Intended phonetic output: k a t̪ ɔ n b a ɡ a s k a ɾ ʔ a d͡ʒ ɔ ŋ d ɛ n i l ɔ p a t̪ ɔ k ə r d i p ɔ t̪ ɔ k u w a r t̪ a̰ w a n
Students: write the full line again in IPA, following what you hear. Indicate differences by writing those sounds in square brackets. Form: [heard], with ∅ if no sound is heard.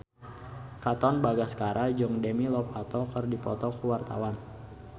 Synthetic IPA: k a t̪ ɔ n b a ɡ a s k a ɾ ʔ a d͡ʒ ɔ ŋ d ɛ [m] i l ɔ p a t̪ ɔ k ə r d i p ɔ t̪ ɔ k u w a r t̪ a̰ w a n